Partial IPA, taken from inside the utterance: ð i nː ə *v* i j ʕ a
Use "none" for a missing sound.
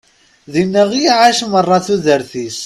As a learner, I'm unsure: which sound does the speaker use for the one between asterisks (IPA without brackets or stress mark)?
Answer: ʁ